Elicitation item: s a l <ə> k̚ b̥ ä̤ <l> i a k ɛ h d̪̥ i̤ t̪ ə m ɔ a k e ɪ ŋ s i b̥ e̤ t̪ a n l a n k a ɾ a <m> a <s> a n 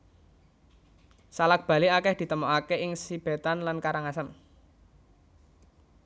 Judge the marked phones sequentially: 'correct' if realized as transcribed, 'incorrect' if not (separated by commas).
incorrect, correct, incorrect, correct